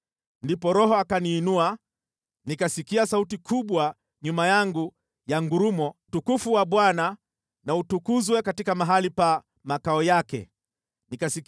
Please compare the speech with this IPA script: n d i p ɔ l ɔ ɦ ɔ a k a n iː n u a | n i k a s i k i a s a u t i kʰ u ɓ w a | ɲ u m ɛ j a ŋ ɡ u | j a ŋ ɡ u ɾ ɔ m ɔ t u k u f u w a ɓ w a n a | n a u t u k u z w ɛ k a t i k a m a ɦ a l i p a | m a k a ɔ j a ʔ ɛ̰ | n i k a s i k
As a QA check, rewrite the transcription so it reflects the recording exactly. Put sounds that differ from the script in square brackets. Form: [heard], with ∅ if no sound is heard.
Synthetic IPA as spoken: n d i p ɔ [ɾ] ɔ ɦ ɔ a k a n iː n u a | n i k a s i k i a s a u t i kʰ u ɓ w a | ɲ u m [a] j a ŋ ɡ u | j a ŋ ɡ u ɾ [u] m ɔ t u k u f u w a ɓ w a n a | n a u t u k u z w ɛ k a t i k a m a ɦ a l i p a | m a k a ɔ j a [k] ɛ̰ | n i k a s i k